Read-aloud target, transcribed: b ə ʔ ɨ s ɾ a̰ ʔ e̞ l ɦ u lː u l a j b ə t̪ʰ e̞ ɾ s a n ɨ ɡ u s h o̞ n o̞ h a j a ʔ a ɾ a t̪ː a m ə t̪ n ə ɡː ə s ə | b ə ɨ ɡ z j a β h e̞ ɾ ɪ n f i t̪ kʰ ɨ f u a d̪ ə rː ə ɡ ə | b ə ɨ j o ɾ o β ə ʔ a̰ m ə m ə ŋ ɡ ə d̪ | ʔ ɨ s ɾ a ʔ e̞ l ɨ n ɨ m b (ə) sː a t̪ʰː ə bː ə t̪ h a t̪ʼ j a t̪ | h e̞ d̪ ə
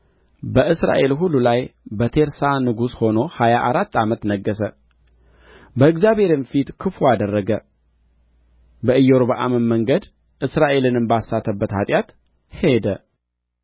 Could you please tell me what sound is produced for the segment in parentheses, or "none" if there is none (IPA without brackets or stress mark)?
a